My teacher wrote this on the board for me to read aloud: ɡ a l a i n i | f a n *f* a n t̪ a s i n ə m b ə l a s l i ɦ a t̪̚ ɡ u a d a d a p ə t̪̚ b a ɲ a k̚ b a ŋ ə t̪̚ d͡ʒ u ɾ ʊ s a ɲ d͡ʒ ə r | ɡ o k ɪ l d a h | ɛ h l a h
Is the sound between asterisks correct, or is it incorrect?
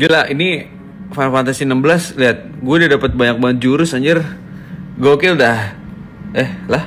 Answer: correct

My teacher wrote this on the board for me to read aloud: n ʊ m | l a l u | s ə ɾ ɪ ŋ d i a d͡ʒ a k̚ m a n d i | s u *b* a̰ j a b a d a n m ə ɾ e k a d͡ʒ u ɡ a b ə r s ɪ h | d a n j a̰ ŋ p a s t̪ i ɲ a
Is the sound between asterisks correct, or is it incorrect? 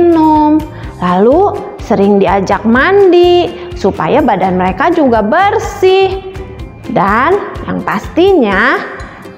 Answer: incorrect: p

